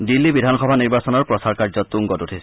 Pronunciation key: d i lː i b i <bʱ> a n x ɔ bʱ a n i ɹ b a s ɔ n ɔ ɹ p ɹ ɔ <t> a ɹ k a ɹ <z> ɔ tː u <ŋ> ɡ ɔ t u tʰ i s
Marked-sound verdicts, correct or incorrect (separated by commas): incorrect, incorrect, correct, correct